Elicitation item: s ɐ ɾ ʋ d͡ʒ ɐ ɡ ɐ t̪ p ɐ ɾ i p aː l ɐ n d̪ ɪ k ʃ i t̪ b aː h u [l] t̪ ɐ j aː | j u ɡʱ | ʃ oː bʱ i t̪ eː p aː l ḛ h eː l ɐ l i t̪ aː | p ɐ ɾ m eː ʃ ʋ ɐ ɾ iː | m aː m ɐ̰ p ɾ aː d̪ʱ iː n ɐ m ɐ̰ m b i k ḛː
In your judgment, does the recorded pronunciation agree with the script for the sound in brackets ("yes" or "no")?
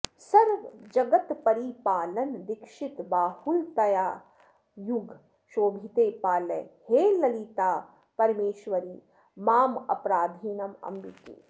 yes